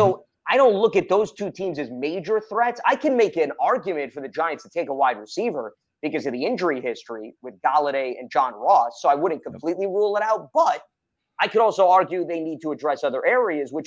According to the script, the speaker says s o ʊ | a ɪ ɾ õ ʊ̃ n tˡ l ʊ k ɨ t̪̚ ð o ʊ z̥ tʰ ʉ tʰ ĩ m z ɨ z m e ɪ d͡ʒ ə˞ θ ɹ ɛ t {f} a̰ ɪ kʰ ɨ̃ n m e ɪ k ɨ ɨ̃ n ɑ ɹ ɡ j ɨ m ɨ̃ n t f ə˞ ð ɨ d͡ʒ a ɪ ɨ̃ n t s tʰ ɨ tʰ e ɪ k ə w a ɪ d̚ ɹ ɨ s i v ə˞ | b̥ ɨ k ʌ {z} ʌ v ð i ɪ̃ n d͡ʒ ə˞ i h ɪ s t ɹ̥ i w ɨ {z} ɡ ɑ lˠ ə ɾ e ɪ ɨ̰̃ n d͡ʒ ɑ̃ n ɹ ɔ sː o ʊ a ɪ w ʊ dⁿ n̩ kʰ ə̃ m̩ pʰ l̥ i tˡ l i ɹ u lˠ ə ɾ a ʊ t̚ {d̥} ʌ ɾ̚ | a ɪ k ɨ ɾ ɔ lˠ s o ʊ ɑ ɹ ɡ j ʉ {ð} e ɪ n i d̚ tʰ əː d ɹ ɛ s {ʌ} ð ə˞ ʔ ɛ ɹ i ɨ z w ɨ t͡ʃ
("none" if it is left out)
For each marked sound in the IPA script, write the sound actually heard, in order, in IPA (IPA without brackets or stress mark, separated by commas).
s, z, ð, b̥, ð, ʌ